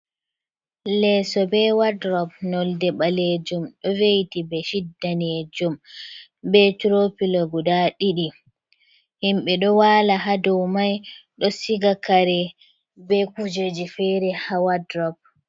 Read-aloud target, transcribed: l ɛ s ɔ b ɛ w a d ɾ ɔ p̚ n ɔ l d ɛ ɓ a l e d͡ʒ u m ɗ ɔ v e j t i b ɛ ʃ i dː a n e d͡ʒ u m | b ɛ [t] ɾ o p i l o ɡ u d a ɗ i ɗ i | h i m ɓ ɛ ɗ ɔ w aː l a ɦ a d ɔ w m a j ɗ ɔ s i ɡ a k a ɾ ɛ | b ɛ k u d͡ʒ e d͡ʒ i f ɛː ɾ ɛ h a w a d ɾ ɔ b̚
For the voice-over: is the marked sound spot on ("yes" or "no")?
yes